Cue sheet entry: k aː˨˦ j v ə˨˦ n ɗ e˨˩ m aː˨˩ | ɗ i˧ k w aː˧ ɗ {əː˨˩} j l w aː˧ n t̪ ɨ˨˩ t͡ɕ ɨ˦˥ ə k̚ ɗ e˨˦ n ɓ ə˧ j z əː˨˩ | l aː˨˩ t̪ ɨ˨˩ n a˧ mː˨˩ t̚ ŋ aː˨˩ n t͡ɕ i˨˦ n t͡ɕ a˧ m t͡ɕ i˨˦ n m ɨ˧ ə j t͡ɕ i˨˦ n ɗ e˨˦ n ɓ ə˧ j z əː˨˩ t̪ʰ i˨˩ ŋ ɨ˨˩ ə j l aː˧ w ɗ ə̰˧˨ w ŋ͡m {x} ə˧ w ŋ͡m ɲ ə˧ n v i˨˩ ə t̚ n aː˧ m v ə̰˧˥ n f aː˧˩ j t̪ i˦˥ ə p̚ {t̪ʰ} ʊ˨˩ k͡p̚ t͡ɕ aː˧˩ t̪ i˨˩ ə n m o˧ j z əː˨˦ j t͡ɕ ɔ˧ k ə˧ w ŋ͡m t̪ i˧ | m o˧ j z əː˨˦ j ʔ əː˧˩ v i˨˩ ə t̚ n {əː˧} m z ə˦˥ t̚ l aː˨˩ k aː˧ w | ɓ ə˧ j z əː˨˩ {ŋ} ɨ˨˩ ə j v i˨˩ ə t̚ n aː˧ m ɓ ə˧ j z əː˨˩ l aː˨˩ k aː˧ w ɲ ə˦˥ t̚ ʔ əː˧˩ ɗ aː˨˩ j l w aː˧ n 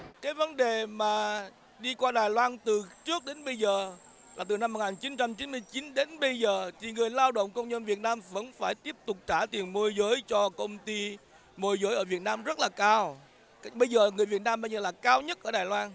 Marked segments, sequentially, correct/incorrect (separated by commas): incorrect, incorrect, incorrect, incorrect, correct